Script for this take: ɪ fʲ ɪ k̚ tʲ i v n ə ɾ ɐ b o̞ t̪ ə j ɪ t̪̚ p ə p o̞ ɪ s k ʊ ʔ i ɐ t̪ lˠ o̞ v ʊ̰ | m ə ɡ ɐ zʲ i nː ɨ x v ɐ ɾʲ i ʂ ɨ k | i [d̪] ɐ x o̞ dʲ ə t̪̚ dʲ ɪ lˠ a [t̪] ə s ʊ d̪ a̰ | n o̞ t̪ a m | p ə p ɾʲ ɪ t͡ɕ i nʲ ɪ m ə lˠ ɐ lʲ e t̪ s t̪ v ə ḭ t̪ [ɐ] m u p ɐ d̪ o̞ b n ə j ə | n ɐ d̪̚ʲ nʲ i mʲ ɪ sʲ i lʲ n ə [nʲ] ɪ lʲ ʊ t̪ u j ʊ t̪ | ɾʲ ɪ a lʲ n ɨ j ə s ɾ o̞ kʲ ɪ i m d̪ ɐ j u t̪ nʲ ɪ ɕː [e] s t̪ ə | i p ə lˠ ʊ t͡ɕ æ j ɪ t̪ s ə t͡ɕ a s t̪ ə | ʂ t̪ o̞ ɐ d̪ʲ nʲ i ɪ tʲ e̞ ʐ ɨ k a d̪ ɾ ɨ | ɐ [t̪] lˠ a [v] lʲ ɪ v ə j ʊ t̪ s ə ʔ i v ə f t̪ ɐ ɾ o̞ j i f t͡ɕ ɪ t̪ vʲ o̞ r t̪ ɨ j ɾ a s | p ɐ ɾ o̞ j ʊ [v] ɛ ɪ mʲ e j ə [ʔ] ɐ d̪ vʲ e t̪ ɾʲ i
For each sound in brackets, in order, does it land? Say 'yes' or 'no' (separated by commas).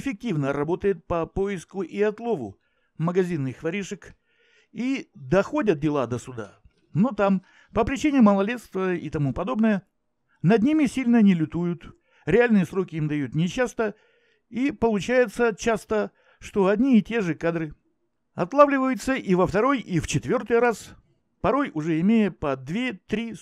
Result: yes, no, yes, yes, no, yes, yes, no, no